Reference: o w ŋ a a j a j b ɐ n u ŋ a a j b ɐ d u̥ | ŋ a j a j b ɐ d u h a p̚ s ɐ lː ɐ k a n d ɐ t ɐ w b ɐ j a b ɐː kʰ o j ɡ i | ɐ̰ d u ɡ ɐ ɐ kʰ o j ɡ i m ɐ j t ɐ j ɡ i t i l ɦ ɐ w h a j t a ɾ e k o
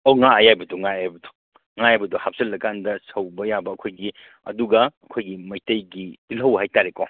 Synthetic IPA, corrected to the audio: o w ŋ a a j a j b ɐ d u ŋ a a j b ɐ d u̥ | ŋ a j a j b ɐ d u h a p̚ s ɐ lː ɐ k a n d ɐ s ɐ w b ɐ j a b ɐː kʰ o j ɡ i | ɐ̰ d u ɡ ɐ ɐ kʰ o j ɡ i m ɐ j t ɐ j ɡ i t i l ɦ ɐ w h a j t a ɾ e k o